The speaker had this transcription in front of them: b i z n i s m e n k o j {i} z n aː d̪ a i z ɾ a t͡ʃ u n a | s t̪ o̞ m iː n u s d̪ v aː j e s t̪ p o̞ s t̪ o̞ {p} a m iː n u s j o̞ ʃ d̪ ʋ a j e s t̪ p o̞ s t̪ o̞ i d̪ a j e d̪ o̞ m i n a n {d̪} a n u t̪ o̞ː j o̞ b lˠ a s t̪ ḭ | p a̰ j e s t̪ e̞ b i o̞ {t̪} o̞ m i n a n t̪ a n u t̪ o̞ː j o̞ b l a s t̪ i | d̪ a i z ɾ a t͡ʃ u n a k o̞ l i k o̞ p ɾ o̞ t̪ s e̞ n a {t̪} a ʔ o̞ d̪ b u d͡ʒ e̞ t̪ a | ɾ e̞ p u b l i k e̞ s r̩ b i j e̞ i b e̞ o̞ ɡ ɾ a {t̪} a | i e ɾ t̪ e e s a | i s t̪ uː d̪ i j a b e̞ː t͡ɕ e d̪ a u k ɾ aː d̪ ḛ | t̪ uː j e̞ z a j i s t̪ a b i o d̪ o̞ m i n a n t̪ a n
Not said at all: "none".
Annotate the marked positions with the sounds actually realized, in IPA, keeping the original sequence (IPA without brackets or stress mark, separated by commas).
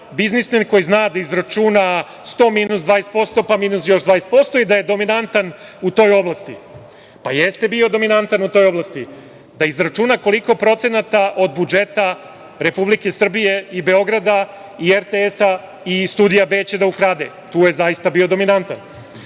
i, p, t̪, d̪, t̪, d̪